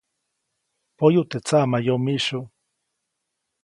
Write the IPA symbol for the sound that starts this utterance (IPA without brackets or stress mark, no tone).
p